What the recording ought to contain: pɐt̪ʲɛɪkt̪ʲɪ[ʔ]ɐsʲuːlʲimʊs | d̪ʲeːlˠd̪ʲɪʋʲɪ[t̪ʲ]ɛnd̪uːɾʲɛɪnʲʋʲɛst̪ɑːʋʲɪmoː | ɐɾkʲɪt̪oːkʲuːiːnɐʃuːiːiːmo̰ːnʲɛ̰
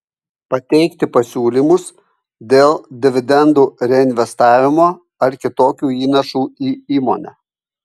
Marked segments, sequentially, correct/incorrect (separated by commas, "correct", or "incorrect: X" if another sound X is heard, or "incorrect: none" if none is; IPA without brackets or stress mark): incorrect: p, incorrect: d̪ʲ